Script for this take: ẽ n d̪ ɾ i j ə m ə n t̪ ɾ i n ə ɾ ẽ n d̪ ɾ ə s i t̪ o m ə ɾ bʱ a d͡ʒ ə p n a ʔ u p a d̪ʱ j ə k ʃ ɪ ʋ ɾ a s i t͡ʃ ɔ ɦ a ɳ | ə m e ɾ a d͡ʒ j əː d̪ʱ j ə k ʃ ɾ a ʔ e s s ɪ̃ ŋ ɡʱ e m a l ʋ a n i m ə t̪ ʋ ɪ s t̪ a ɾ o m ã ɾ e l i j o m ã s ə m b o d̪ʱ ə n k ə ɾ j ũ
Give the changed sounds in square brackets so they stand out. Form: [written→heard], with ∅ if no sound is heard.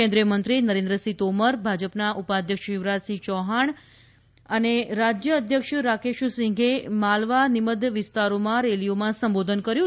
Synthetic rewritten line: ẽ n d̪ ɾ i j ə m ə n t̪ ɾ i n ə ɾ ẽ n d̪ ɾ ə s i t̪ o m ə ɾ bʱ a d͡ʒ ə p n a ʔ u p a d̪ʱ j ə k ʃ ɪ ʋ ɾ a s i t͡ʃ ɔ ɦ a ɳ | ə [m→n] e ɾ a d͡ʒ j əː d̪ʱ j ə k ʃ ɾ a [ʔ→k] e [s→ʃ] s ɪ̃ ŋ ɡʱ e m a l ʋ a n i m ə [t̪→d̪] ʋ ɪ s t̪ a ɾ o m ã ɾ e l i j o m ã s ə m b o d̪ʱ ə n k ə ɾ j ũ